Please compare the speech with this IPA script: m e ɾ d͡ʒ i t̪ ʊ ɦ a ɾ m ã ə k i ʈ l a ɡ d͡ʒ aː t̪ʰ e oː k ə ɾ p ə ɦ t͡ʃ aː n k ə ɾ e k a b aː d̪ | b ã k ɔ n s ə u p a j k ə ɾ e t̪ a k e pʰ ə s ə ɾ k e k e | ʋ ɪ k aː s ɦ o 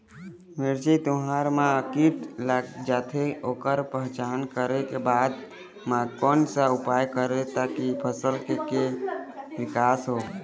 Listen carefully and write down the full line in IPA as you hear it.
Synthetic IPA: m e ɾ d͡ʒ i t̪ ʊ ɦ a ɾ m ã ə k i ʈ l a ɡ d͡ʒ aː t̪ʰ e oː k ə ɾ p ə ɦ t͡ʃ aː n k ə ɾ e k e b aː d̪ | m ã k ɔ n s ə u p a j k ə ɾ e t̪ a k i pʰ ə s ə l k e k e | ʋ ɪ k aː s ɦ o